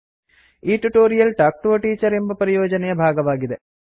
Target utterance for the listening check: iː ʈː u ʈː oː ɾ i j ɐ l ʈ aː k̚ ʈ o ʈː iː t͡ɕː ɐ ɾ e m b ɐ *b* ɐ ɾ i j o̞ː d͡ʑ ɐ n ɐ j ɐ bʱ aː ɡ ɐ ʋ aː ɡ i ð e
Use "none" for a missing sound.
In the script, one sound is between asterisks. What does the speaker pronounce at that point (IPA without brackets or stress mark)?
p